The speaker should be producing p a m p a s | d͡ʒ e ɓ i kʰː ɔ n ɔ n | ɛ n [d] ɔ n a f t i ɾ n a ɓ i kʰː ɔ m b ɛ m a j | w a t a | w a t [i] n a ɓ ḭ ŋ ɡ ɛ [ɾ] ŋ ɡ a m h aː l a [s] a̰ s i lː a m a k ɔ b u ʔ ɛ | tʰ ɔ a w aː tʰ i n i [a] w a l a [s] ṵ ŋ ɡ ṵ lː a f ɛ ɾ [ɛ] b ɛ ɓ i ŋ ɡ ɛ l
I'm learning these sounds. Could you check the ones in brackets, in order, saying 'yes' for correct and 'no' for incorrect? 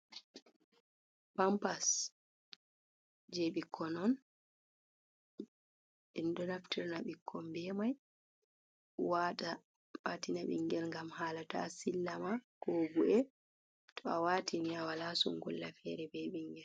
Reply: yes, yes, no, no, yes, yes, yes

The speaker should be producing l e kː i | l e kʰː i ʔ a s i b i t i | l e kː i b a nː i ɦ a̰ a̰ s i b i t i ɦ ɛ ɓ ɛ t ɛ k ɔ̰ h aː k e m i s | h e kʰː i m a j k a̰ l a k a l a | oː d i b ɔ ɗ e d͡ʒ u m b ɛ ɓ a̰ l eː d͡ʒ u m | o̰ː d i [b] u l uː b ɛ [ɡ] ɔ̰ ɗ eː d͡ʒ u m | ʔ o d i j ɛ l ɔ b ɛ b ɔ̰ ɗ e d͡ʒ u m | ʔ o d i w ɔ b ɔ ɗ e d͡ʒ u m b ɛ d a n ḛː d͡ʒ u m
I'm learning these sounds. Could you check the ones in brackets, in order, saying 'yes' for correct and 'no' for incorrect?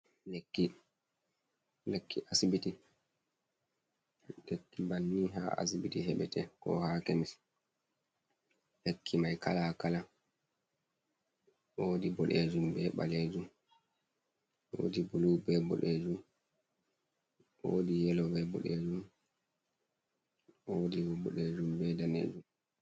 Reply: yes, no

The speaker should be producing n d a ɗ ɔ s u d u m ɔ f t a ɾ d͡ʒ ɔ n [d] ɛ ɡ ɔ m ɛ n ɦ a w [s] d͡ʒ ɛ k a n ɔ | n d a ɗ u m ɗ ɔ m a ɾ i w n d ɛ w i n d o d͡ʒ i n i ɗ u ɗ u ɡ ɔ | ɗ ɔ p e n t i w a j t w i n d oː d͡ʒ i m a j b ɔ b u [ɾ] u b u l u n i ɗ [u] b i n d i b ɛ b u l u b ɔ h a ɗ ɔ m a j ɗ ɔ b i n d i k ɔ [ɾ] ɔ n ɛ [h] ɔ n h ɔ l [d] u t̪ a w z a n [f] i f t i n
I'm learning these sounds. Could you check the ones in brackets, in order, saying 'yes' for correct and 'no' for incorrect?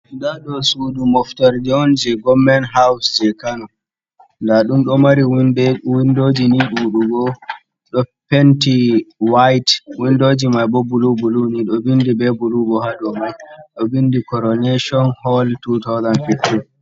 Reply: no, yes, no, no, yes, no, no, yes

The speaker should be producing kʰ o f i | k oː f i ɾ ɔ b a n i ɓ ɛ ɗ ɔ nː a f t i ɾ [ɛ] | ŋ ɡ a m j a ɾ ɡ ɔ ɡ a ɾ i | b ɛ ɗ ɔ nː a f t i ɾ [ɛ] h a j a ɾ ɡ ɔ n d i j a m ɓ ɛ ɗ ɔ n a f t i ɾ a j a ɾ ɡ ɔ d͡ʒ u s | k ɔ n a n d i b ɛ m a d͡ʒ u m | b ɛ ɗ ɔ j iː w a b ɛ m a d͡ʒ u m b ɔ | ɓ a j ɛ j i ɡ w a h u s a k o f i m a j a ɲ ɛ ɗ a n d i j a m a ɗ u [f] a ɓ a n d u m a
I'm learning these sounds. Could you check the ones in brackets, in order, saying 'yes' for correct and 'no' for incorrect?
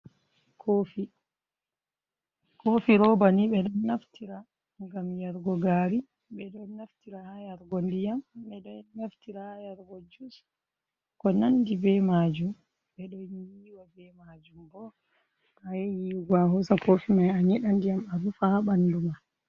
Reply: no, no, yes

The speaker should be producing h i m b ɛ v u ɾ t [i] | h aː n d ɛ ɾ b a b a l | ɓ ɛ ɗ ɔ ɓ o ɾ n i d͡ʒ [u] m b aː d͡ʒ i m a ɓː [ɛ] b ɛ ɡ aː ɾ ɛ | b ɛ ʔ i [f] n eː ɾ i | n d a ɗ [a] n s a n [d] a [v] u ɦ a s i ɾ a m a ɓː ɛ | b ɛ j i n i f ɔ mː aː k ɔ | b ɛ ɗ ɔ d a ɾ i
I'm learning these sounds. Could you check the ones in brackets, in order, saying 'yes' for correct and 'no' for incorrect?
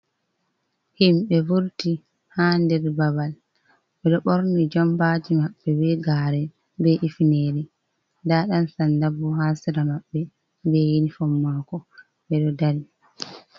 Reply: yes, no, yes, yes, yes, yes, no

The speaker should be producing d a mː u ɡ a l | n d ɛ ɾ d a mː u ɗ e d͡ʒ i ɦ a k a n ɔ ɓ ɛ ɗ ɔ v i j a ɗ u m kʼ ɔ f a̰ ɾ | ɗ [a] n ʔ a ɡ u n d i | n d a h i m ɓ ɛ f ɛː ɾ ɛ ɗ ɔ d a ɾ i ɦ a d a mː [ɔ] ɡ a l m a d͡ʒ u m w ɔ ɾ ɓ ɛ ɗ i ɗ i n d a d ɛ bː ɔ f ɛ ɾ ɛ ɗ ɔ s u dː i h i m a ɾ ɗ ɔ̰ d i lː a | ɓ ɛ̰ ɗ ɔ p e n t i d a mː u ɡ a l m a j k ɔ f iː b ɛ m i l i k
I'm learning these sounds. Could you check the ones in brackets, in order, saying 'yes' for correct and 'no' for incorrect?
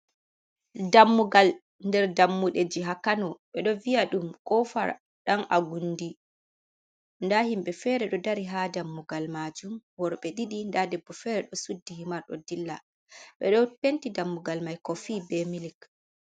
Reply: yes, no

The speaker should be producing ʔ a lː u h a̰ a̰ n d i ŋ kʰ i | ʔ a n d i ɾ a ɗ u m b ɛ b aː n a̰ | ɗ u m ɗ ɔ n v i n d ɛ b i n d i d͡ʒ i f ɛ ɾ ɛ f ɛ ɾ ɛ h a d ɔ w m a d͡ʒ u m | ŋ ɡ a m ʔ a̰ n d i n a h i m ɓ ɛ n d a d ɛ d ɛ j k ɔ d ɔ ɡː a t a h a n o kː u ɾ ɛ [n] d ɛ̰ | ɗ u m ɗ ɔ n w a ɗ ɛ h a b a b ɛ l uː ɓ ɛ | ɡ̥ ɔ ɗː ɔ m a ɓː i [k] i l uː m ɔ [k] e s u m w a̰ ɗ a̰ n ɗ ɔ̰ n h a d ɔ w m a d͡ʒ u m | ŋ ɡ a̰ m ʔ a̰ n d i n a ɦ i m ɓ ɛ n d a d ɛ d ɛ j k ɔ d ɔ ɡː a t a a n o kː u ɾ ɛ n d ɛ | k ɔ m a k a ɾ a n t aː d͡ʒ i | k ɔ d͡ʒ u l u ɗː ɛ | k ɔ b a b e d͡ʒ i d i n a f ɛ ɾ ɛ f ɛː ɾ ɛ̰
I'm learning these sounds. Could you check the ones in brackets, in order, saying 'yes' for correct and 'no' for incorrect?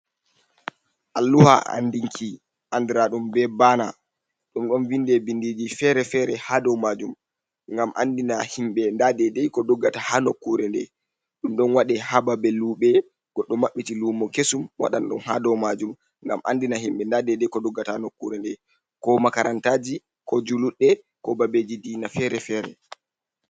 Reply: yes, no, yes

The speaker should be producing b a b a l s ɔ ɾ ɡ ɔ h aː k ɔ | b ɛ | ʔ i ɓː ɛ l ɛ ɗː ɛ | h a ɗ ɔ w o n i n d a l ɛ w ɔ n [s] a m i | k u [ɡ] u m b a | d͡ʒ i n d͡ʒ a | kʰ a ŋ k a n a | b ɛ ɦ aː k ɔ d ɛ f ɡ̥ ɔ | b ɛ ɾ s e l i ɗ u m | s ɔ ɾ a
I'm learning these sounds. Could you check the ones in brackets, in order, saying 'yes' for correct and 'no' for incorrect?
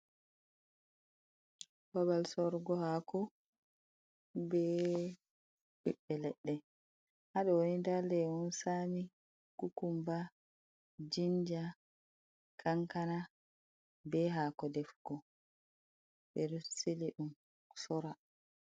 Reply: yes, no

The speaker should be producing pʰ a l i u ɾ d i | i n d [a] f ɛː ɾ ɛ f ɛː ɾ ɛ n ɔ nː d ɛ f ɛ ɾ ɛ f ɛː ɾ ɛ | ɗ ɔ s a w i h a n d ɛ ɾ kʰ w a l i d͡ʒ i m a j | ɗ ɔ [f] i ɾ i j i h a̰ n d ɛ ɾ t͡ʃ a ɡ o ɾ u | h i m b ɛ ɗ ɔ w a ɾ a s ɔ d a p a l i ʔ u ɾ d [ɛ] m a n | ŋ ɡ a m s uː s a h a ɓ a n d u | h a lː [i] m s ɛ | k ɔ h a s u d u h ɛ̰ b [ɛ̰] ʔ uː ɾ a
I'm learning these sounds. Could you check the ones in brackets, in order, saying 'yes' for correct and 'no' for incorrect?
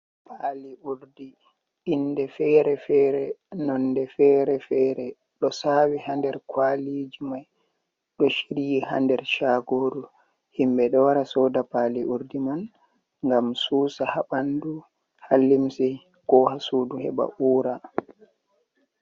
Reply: no, no, no, yes, no

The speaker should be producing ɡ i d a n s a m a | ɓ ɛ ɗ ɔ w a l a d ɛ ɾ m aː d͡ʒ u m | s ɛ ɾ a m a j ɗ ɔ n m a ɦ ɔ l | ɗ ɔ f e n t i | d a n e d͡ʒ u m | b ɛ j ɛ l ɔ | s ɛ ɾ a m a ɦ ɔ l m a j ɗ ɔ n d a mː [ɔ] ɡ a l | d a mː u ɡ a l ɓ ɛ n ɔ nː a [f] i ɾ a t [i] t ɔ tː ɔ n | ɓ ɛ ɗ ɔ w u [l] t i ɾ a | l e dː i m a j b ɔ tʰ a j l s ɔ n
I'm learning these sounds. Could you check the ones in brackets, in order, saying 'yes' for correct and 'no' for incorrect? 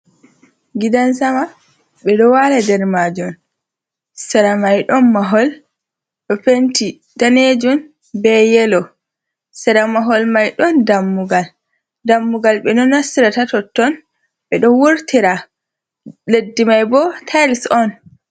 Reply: no, no, no, no

